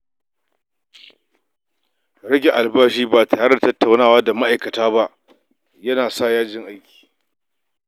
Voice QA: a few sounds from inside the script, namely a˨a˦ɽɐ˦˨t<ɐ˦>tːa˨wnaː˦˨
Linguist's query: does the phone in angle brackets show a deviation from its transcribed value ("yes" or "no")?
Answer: no